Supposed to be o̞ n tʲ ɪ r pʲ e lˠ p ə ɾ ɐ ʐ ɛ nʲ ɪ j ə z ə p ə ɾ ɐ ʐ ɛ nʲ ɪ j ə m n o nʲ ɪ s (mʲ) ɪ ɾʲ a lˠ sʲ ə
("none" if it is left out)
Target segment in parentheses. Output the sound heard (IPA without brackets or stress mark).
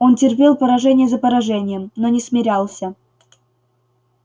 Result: mʲ